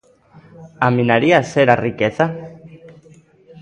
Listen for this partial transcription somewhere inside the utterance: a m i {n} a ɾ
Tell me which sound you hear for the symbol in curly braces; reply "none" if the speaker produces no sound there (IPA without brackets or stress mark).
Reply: n